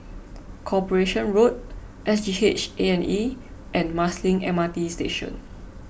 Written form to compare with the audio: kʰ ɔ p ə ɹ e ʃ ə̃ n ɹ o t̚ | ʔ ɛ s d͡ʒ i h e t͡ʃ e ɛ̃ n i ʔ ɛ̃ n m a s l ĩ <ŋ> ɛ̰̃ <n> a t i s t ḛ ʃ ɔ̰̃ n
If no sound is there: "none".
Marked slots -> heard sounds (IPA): ŋ, m

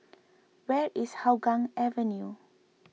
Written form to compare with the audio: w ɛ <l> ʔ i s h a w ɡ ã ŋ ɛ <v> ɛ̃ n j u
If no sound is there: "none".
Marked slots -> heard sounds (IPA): ɹ, v

